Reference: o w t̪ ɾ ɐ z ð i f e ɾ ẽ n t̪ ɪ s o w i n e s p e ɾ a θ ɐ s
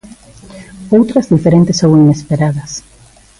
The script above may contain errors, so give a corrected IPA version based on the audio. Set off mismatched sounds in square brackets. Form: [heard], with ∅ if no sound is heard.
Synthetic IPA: o w t̪ ɾ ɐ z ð i f e ɾ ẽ n t̪ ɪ s o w i n e s p e ɾ a [ð] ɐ s